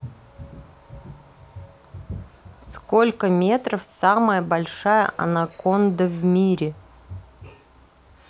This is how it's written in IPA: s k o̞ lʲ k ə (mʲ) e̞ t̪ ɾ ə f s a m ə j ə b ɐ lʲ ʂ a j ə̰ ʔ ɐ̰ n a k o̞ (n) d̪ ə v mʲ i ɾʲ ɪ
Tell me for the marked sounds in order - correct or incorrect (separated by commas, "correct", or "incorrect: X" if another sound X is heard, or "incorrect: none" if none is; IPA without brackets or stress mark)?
correct, correct